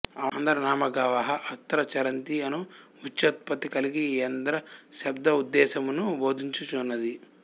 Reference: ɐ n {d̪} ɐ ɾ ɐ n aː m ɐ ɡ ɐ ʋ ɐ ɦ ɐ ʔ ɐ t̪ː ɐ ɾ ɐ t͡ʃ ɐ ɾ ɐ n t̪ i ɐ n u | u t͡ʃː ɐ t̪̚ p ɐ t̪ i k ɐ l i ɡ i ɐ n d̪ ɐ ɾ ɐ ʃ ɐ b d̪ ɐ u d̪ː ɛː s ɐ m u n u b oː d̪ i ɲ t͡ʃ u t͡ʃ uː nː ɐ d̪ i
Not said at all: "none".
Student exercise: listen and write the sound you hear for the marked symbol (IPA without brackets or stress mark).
d̪